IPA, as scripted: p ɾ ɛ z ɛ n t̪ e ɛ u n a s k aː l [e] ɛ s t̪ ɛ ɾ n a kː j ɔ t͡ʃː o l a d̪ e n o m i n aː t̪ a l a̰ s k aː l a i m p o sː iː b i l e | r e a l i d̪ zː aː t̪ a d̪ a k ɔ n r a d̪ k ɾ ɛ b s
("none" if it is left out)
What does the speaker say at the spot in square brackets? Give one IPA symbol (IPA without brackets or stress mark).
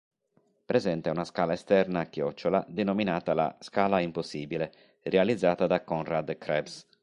a